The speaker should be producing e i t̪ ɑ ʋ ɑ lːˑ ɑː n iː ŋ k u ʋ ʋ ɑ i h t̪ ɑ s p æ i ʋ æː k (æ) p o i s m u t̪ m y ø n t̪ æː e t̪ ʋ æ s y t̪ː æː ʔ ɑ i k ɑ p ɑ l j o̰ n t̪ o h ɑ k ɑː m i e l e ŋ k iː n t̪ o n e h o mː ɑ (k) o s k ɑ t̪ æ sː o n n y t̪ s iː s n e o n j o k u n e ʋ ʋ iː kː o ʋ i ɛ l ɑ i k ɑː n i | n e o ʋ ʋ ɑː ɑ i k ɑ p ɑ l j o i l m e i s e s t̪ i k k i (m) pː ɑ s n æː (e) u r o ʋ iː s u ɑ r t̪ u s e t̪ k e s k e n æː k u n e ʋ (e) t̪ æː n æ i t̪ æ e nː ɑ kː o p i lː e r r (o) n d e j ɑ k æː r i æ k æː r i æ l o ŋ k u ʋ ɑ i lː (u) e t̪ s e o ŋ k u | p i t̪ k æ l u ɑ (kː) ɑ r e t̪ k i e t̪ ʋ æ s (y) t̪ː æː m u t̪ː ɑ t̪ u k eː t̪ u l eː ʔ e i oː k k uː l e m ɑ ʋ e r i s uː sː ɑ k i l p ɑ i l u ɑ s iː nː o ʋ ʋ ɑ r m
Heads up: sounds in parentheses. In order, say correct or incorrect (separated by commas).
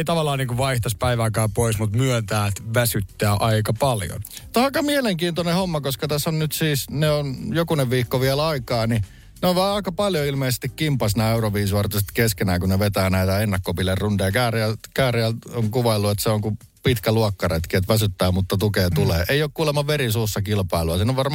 incorrect, correct, correct, correct, correct, incorrect, correct, correct, correct